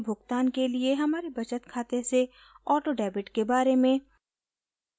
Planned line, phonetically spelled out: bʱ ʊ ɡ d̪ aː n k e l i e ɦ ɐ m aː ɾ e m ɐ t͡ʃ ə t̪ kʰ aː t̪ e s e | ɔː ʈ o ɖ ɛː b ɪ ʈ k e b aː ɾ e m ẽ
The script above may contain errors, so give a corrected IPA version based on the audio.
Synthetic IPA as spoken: bʱ ʊ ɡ t̪ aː n k e l i e ɦ ɐ m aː ɾ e b ɐ t͡ʃ ə t̪ kʰ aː t̪ e s e | ɔː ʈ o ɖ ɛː b ɪ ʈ k e b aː ɾ e m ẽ